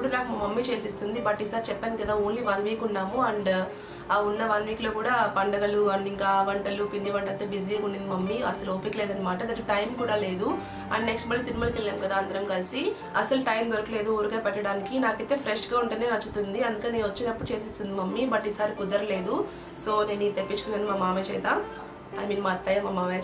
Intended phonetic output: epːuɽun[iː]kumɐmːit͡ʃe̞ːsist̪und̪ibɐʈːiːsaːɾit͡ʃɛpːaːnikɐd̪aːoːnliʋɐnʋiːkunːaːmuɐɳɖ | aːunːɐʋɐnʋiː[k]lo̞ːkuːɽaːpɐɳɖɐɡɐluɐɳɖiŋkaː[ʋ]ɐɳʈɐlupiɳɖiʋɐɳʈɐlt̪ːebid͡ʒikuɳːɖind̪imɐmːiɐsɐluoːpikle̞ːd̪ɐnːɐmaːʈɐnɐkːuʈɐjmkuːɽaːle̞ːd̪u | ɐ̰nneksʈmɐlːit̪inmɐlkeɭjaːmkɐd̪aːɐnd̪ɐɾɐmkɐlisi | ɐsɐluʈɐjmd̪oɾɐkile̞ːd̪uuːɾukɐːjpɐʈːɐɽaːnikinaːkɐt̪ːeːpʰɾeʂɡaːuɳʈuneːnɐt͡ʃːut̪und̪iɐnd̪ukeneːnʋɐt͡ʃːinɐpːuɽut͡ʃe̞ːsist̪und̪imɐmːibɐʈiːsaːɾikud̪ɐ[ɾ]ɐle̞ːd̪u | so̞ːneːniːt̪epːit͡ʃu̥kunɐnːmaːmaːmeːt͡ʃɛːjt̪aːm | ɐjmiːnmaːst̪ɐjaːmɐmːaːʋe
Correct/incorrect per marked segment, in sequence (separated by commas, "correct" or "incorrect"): incorrect, correct, correct, correct